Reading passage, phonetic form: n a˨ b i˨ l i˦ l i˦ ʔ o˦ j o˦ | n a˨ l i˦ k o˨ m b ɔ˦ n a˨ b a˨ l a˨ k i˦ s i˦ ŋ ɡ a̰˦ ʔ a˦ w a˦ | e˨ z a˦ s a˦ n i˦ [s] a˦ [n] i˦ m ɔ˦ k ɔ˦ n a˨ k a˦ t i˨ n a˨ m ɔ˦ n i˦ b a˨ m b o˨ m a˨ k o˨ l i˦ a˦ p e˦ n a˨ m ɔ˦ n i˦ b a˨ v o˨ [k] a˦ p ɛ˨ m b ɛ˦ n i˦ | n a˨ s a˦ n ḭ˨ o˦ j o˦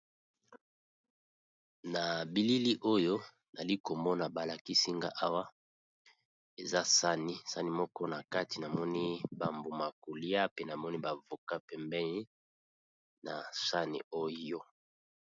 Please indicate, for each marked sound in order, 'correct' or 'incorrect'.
correct, correct, correct

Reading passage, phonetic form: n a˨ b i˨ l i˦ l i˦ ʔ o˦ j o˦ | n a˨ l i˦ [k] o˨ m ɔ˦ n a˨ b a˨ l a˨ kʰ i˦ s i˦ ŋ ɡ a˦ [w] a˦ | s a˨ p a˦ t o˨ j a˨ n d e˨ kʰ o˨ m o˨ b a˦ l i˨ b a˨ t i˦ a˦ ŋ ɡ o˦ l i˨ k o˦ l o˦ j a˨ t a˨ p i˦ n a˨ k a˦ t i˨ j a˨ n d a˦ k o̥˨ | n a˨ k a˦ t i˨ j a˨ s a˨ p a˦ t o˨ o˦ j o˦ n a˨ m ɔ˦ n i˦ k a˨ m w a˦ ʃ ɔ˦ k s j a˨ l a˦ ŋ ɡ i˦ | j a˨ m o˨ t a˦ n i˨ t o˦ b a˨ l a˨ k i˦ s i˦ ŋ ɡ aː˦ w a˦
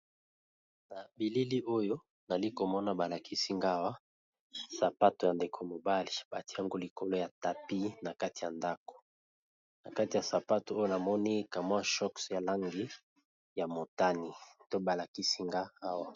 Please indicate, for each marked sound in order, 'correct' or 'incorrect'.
correct, correct

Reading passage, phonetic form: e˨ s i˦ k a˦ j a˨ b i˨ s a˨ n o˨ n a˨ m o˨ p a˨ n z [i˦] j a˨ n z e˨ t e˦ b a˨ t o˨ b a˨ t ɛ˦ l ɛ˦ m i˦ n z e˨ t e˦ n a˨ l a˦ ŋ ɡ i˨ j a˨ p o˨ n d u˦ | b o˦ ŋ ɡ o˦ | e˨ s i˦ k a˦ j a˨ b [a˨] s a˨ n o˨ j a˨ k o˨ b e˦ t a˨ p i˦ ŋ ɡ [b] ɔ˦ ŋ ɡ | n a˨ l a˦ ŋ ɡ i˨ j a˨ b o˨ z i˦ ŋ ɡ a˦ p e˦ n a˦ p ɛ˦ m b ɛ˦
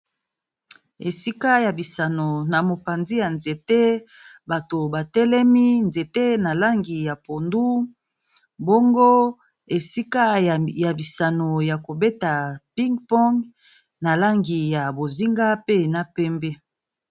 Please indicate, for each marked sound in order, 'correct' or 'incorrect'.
correct, incorrect: i˨, incorrect: p

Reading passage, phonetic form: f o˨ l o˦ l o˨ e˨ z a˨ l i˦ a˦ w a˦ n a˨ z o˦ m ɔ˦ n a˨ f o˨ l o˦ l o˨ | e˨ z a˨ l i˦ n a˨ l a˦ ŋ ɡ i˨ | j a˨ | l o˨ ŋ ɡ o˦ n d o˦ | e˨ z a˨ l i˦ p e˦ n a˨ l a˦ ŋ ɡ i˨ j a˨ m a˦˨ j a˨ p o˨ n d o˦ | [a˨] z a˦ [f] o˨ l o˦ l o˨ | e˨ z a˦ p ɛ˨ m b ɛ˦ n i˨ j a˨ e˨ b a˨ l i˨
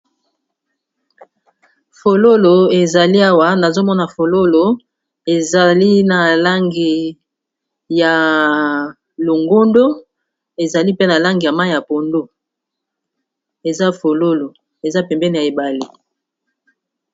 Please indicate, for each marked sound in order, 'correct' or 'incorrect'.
incorrect: e˨, correct

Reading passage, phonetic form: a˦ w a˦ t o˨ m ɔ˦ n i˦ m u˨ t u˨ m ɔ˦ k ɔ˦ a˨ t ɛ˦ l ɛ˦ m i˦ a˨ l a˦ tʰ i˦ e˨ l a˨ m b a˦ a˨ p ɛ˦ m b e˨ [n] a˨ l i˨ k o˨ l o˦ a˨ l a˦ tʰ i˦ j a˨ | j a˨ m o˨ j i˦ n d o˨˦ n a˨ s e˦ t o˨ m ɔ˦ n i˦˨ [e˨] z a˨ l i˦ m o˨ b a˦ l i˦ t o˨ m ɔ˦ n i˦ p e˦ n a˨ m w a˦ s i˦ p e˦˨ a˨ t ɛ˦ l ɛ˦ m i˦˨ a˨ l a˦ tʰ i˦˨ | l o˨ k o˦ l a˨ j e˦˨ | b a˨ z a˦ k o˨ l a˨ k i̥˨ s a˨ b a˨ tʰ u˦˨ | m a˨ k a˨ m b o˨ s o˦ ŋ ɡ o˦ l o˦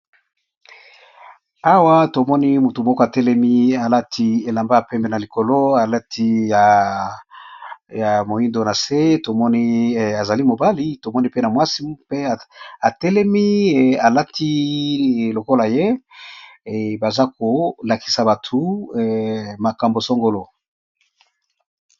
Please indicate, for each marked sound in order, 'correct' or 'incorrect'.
correct, incorrect: a˨

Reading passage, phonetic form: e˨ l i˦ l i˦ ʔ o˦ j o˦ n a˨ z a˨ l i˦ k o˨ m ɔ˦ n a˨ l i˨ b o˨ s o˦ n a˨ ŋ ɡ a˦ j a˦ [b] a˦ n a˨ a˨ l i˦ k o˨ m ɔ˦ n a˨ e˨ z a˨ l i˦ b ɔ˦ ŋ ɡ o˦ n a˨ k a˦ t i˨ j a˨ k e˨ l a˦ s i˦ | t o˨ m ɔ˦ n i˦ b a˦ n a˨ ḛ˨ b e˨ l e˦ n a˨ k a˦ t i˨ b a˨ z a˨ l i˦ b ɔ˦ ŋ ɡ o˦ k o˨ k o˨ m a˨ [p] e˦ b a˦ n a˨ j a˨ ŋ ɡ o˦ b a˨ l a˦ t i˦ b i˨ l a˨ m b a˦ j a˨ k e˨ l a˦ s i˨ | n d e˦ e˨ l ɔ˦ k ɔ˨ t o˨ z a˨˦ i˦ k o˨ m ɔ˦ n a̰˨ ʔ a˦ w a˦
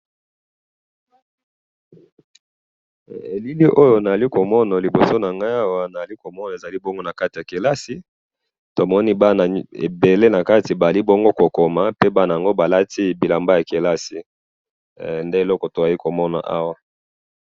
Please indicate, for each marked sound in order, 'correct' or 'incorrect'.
incorrect: w, correct

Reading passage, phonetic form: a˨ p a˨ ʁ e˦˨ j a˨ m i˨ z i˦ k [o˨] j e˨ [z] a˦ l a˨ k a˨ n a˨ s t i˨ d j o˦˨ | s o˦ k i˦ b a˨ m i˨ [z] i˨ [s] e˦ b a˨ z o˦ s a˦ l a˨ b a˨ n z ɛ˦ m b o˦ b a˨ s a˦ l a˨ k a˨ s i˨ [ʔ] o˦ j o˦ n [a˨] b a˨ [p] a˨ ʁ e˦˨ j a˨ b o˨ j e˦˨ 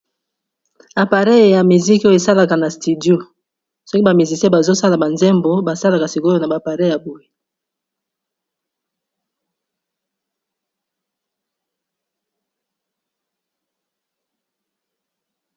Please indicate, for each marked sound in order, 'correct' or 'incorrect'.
incorrect: o˦, incorrect: s, correct, correct, incorrect: k, correct, correct

